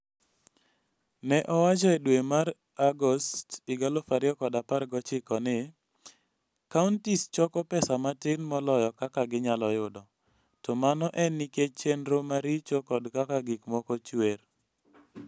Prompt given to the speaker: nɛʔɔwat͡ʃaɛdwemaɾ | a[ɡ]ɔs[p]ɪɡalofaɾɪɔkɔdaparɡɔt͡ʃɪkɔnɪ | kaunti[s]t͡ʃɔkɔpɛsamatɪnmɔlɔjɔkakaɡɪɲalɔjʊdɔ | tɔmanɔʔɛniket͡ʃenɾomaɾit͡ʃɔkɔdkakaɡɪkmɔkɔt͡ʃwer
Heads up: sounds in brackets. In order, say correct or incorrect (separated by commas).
correct, incorrect, correct